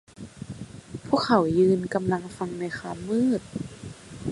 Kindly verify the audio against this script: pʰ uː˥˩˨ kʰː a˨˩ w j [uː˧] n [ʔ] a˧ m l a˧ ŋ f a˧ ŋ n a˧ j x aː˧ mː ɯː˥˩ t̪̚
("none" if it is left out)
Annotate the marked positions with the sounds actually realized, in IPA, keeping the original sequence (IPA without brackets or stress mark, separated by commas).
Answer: ɯː˧, k